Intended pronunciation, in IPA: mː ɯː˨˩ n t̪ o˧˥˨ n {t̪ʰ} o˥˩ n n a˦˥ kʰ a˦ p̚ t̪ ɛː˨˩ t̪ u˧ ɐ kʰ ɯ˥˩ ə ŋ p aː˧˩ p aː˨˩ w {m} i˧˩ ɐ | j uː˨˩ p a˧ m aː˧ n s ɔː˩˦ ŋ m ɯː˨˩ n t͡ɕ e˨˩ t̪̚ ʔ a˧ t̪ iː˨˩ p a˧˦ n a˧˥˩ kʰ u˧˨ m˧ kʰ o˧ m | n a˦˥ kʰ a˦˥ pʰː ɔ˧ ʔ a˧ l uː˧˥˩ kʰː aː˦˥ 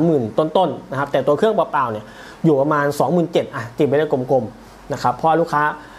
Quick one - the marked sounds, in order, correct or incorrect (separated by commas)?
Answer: incorrect, incorrect